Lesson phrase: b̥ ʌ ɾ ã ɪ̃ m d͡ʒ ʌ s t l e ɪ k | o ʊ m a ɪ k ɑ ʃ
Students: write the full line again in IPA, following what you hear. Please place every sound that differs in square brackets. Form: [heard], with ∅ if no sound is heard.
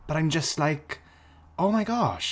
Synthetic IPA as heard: b̥ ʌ ɾ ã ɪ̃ m d͡ʒ ʌ s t l [a] ɪ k | o ʊ m a ɪ [ɡ] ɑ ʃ